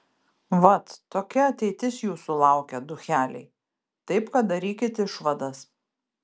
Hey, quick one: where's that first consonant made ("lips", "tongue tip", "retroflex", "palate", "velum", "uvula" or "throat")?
lips